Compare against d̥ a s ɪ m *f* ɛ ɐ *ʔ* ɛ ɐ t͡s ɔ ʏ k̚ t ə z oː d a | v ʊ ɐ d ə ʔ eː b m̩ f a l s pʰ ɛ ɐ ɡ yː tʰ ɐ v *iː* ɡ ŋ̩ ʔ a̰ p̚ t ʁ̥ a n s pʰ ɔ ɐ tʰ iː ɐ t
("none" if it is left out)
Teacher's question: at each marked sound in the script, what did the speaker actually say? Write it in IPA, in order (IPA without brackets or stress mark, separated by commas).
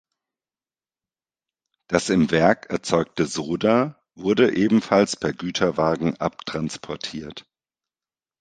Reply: v, k, aː